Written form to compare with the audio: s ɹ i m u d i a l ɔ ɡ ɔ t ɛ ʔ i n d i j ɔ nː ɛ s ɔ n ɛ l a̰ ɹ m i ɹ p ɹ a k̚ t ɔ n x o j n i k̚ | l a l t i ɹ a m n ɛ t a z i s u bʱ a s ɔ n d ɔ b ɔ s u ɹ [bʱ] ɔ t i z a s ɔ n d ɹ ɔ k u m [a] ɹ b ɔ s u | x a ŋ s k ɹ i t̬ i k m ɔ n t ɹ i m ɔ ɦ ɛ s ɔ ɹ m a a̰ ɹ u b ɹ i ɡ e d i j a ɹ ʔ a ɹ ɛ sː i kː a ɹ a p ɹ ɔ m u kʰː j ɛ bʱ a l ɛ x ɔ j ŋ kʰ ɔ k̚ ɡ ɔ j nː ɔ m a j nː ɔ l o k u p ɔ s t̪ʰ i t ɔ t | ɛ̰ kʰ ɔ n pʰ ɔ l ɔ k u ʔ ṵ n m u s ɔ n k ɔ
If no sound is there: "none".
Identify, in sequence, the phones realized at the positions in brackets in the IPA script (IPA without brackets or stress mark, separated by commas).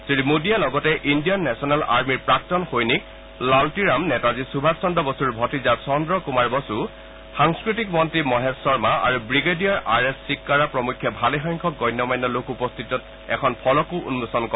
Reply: bʱ, a